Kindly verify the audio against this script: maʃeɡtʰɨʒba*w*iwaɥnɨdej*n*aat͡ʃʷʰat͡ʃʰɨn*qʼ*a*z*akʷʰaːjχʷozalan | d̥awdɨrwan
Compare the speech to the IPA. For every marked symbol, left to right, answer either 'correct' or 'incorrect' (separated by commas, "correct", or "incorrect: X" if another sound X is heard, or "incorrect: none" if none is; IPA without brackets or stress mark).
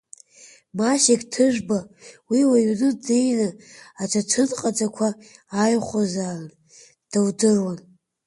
correct, correct, correct, incorrect: d͡z